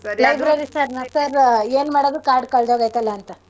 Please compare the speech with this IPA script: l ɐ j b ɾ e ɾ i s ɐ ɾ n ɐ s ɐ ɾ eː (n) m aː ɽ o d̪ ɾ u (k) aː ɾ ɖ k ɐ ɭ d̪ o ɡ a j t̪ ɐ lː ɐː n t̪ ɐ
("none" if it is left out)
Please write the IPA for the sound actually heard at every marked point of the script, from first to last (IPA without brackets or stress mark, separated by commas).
n, k